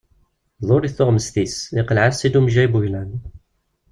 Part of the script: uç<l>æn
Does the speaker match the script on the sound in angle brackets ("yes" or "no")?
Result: yes